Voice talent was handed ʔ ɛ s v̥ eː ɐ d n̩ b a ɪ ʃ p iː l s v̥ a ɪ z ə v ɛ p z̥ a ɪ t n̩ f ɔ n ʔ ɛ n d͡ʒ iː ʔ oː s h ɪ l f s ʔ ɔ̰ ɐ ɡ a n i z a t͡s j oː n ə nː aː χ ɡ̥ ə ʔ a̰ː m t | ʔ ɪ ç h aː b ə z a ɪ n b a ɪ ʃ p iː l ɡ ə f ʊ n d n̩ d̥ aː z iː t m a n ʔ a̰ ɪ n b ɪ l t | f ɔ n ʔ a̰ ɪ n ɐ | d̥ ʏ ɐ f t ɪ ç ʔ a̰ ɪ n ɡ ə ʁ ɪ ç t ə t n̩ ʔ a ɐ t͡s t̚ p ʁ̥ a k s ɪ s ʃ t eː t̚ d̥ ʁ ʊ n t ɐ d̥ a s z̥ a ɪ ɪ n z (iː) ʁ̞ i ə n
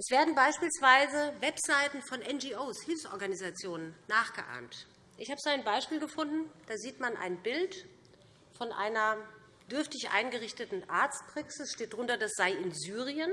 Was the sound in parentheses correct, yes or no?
no